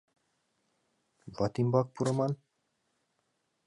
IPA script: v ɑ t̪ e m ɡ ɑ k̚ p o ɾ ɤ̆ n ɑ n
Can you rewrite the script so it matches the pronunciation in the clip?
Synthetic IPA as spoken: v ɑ t̪ i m b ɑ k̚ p u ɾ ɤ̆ m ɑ n